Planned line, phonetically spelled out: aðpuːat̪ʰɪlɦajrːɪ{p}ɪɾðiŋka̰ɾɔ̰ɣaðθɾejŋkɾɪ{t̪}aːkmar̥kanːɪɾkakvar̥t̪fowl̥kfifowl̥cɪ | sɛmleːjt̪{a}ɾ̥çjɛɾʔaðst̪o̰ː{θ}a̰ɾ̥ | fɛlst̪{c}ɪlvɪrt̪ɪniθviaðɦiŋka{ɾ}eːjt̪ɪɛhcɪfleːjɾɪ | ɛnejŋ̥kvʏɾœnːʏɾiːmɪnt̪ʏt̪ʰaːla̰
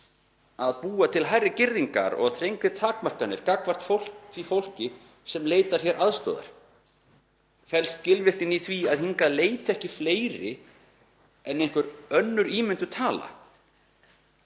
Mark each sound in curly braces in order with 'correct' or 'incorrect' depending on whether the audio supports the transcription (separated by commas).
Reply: incorrect, incorrect, correct, incorrect, correct, incorrect